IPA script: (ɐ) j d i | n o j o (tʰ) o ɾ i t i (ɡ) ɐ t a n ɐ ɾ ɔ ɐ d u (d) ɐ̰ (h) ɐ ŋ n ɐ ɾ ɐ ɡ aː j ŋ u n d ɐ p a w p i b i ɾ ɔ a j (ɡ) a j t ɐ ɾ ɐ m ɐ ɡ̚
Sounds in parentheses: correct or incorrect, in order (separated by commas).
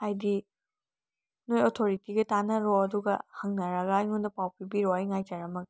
incorrect, correct, correct, incorrect, correct, incorrect